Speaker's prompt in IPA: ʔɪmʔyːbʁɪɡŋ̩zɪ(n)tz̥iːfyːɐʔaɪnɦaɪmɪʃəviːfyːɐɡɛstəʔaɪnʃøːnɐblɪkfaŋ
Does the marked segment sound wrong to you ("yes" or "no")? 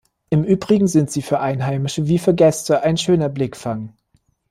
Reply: no